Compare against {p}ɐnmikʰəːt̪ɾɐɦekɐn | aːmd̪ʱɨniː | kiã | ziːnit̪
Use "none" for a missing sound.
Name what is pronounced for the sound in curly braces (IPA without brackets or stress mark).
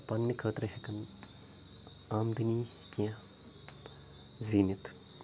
p